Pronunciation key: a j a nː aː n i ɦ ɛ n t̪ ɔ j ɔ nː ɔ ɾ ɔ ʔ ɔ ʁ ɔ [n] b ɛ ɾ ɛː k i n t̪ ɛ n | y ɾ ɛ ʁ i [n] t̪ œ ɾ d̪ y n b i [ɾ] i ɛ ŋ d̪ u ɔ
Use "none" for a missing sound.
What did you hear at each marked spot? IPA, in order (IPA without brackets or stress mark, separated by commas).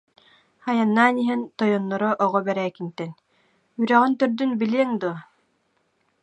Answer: none, n, l